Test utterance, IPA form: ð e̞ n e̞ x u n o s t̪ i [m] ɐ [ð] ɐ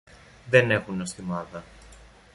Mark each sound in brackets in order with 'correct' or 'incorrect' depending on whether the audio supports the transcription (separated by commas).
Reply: correct, correct